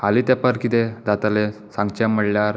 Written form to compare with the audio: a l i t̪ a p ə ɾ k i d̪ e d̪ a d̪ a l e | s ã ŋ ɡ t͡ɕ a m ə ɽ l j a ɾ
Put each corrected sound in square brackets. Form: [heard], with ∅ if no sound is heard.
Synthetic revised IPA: a l i t̪ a p ə ɾ k i [t̪] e d̪ a [t̪] a l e | s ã ŋ ɡ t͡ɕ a m ə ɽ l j a ɾ